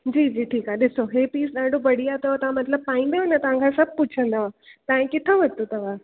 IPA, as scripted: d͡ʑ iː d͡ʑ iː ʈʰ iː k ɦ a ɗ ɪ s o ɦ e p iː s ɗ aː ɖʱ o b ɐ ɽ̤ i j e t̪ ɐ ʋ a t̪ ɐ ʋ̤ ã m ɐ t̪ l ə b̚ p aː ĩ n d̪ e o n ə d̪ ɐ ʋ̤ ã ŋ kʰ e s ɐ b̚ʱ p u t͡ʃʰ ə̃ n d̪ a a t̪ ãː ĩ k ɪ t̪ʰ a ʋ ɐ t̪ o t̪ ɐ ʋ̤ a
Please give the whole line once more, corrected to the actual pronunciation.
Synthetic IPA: d͡ʑ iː d͡ʑ iː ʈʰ iː k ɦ a ɗ ɪ s o ɦ e p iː s ɗ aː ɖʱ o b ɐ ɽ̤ i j a t̪ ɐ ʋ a t̪ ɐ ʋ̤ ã m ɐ t̪ l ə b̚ p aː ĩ n d̪ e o n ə t̪ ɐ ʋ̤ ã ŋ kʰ a s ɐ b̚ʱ p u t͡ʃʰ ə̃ n d̪ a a t̪ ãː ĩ k ɪ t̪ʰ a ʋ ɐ t̪ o t̪ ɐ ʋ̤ a